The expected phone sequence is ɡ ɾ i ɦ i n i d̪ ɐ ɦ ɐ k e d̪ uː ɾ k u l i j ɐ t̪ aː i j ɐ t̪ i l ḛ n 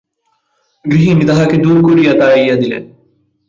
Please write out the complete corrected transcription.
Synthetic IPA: ɡ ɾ i ɦ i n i d̪ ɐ ɦ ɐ k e d̪ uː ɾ k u ɾ i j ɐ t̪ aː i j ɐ d̪ i l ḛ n